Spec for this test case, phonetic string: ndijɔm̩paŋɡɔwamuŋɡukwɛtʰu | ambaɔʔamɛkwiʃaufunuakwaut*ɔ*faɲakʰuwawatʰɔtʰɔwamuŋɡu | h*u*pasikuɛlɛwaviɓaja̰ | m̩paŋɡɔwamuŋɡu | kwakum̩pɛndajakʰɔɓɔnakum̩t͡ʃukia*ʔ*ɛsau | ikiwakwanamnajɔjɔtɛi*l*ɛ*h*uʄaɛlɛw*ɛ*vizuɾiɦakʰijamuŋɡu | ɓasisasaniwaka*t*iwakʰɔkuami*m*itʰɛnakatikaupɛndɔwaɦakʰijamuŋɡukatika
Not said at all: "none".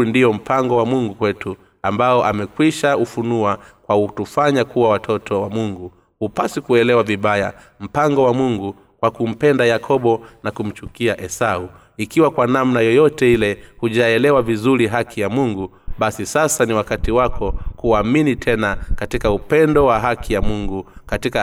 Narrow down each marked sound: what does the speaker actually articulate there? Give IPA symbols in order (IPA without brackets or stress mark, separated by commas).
u, u, ʔ, l, h, a, t, n